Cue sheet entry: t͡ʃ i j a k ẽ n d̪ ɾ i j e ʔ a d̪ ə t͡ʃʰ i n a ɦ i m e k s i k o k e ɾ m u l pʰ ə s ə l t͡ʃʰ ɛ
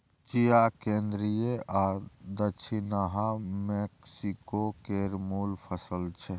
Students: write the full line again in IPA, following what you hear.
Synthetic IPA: t͡ʃ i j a k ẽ n d̪ ɾ i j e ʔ a d̪ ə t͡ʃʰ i n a ɦ a m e k s i k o k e ɾ m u l pʰ ə s ə l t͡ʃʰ ɛ